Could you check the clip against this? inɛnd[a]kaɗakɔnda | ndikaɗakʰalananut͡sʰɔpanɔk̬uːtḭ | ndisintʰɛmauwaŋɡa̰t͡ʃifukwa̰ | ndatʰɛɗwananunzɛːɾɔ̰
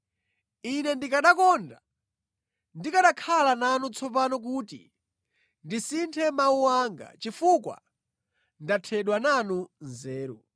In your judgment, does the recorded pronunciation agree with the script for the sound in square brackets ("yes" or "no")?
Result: no